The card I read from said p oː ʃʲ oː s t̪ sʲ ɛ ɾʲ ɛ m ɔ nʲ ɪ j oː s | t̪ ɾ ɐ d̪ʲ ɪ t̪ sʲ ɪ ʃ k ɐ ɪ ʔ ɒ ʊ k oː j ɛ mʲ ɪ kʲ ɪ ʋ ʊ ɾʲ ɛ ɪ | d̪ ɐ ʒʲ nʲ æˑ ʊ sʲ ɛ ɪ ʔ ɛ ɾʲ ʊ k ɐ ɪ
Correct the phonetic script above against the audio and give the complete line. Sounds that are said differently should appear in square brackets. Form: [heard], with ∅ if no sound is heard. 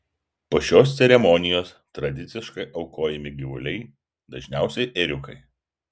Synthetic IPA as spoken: p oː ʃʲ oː s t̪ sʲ ɛ ɾʲ ɛ m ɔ nʲ ɪ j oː s | t̪ ɾ ɐ d̪ʲ ɪ t̪ sʲ ɪ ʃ k ɐ ɪ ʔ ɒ ʊ k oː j ɛ mʲ ɪ [ɡʲ] ɪ ʋ ʊ [lʲ] ɛ ɪ | d̪ ɐ ʒʲ nʲ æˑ ʊ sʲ ɛ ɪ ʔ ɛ ɾʲ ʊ k ɐ ɪ